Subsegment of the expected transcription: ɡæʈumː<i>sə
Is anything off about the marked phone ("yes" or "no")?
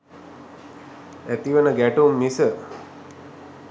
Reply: no